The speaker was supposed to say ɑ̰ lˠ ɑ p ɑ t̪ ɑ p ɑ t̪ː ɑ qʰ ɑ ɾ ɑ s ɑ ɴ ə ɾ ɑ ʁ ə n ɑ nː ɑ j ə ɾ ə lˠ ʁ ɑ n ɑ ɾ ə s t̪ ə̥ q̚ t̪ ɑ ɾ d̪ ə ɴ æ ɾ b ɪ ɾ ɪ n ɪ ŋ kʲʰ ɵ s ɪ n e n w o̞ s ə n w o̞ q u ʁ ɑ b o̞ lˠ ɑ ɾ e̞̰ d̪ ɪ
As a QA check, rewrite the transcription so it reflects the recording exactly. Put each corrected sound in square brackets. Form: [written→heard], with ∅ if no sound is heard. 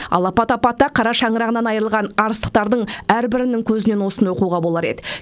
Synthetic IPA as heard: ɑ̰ lˠ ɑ p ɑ t̪ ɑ p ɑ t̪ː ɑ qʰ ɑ ɾ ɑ [s→ʃ] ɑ ɴ ə ɾ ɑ ʁ ə n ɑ [nː→n] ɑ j ə ɾ ə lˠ ʁ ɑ n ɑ ɾ ə s t̪ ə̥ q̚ t̪ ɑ ɾ d̪ ə ɴ æ ɾ b ɪ ɾ ɪ n ɪ ŋ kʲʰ ɵ [s→z] ɪ n e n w o̞ s ə n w o̞ q u ʁ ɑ b o̞ lˠ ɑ ɾ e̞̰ d̪ ɪ